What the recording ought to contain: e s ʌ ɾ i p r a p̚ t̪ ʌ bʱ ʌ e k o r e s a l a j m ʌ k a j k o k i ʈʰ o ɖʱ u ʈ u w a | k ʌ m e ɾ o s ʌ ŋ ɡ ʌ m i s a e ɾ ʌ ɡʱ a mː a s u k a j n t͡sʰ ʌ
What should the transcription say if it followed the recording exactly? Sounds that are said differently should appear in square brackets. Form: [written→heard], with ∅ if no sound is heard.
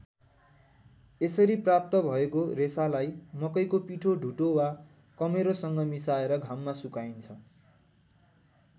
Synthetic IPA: e s ʌ ɾ i p r a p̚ t̪ ʌ bʱ ʌ e k o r e s a l a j m ʌ k [a→ʌ] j k o [k→p] i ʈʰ o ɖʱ u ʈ [u→o] w a | k ʌ m e ɾ o s ʌ ŋ ɡ ʌ m i s a e ɾ ʌ ɡʱ a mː a s u k a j n t͡sʰ ʌ